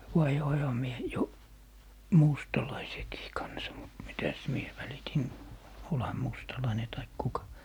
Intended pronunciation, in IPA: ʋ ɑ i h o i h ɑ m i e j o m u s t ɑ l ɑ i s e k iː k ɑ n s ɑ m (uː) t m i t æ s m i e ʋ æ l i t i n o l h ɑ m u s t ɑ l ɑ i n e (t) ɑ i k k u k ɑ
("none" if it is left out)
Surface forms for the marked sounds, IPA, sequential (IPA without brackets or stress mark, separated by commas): u, t